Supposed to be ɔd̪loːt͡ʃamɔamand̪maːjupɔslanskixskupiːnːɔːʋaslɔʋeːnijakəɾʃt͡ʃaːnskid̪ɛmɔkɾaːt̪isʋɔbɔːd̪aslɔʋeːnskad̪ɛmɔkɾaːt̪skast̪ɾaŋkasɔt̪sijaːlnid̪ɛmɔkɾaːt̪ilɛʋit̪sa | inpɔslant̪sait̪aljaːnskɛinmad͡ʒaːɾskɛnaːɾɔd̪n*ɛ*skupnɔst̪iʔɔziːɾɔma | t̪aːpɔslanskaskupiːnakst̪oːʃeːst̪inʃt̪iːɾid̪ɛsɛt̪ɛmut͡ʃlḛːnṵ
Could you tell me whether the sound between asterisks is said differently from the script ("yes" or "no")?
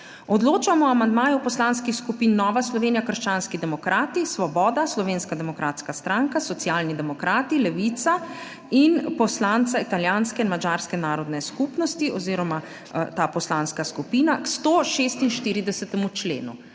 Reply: no